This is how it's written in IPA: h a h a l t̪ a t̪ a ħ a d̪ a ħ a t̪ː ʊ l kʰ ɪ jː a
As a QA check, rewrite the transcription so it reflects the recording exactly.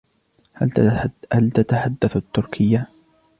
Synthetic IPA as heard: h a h a l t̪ a t̪ a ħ a d̪ː a θ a t̪ː ʊ ɾ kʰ ɪ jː a